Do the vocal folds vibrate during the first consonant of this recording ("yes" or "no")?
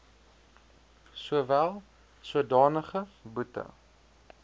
no